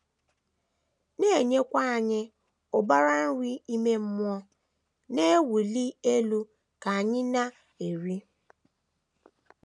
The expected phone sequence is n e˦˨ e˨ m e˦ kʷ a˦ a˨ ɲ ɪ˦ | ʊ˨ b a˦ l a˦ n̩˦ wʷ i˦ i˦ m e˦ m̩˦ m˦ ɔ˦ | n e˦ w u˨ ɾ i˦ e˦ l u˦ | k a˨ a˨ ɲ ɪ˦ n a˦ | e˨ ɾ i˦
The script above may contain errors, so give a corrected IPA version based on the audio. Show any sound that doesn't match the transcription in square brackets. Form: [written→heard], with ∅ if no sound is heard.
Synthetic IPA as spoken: n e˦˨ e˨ [m→ɲ] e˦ kʷ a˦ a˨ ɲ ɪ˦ | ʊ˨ b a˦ [l→ɾ] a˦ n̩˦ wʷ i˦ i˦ m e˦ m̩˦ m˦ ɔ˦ | n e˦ w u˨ [ɾ→l] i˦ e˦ l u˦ | k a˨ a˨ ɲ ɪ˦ n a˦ | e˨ ɾ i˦